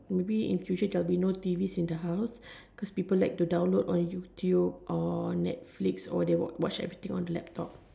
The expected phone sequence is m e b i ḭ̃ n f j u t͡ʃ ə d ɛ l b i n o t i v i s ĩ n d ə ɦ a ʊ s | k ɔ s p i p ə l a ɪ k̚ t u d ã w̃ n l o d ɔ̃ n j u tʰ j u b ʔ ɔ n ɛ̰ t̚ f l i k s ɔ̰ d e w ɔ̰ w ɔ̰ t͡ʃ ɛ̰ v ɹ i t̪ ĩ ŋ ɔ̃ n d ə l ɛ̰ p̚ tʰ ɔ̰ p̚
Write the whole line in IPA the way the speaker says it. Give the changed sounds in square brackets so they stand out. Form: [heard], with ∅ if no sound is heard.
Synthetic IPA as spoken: m e b i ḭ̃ n f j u t͡ʃ ə d ɛ l b i n o t i v i s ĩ n d ə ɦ a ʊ s | k ɔ s p i p ə l a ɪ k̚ t u d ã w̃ n l o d ɔ̃ n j u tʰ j u b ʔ ɔ n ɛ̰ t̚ f l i k s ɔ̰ d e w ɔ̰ w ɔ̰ t͡ʃ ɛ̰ v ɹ i t̪ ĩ ŋ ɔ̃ n d ə l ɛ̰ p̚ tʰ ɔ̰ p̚